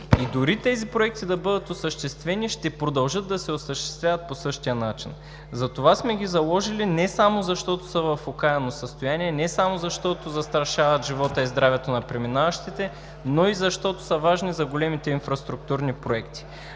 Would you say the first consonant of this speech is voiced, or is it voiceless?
voiced